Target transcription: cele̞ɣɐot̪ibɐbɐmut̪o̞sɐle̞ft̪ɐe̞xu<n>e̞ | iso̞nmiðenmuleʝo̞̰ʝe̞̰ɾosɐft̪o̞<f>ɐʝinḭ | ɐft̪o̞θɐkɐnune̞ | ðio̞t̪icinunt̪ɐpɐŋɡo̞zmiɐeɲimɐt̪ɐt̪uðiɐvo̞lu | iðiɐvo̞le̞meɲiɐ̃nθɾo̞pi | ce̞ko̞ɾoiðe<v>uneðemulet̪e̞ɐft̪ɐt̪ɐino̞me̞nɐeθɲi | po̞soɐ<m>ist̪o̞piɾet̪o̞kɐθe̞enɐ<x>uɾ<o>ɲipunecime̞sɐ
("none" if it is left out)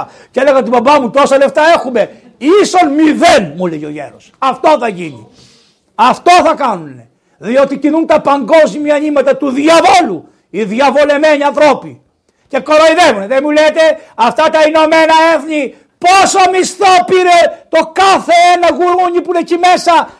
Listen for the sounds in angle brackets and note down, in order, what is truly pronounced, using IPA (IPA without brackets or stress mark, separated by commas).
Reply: m, θ, v, m, ɣ, u